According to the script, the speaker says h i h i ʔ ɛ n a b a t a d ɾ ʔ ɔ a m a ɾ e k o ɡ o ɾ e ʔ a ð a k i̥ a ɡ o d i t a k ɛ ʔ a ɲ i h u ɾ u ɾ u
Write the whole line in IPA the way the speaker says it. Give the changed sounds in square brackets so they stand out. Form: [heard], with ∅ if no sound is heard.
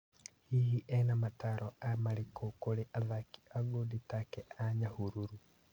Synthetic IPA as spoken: h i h i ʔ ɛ n a [m] a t a [∅] ɾ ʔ ɔ a m a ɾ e k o [k] o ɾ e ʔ a ð a k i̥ a ɡ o d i t a k ɛ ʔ a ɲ [a] h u ɾ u ɾ u